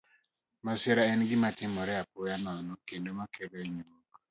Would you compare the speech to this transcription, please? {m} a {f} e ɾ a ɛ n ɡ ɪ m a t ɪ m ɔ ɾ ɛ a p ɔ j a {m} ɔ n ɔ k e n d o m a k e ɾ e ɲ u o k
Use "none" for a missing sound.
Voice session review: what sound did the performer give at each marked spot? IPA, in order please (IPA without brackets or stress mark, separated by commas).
m, s, n